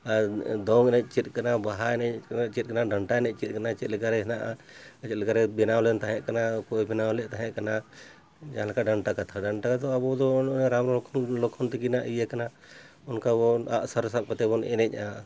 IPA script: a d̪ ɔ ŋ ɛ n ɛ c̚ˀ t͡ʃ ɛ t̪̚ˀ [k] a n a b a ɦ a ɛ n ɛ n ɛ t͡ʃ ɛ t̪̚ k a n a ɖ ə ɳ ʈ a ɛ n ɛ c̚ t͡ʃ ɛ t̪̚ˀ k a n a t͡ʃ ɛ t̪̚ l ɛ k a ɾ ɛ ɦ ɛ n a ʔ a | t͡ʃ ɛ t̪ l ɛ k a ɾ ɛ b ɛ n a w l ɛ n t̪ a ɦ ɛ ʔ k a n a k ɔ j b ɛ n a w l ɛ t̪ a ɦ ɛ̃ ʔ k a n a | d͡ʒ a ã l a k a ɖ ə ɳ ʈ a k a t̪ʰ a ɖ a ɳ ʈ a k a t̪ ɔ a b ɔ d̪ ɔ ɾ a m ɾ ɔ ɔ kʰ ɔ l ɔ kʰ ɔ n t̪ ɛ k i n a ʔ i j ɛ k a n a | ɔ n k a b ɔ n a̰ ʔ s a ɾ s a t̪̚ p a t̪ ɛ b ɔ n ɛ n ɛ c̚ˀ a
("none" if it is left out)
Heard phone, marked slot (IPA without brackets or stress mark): k